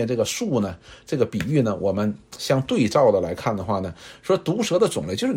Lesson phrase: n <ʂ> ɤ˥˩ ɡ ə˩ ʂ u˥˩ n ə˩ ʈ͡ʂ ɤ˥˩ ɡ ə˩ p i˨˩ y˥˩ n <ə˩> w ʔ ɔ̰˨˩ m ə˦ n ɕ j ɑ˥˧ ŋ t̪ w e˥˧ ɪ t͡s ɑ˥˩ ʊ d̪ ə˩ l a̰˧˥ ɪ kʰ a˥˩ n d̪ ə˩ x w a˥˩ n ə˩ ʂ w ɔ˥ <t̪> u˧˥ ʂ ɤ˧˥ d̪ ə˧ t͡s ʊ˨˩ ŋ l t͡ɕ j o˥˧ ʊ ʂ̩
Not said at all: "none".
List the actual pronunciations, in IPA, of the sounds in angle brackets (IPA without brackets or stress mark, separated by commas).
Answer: ʈ͡ʂ, ə˩, t̪